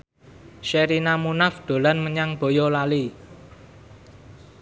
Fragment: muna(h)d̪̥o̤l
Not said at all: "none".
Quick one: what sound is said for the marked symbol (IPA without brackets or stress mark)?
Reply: f